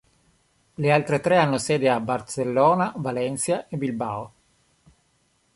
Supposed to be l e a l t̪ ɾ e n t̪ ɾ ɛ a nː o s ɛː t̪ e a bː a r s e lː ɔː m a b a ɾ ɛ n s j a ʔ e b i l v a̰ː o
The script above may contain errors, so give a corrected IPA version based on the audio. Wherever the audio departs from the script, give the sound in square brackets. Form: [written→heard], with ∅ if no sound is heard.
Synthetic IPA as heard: l e a l t̪ ɾ e [n→∅] t̪ ɾ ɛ a nː o s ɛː [t̪→d̪] e a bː a r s e lː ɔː [m→n] a [b→v] a [ɾ→l] ɛ n s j a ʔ e b i l [v→b] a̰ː o